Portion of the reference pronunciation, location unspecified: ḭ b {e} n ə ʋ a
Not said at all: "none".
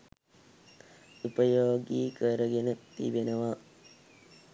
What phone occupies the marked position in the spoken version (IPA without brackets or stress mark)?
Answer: e